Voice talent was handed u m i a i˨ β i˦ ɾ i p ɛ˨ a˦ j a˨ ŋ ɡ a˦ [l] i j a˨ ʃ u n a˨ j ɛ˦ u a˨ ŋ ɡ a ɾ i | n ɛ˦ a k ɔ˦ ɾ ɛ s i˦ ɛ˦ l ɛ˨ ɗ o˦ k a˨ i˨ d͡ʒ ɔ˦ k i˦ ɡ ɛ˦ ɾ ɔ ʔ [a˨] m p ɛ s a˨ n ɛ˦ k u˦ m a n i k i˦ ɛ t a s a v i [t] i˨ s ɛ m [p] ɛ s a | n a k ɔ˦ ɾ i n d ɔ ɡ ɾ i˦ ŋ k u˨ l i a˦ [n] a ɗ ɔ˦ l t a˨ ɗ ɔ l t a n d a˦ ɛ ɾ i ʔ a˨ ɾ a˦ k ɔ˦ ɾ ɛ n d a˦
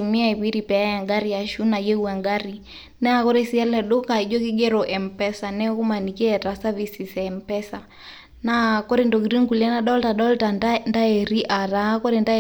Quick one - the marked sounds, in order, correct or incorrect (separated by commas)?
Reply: incorrect, incorrect, incorrect, correct, correct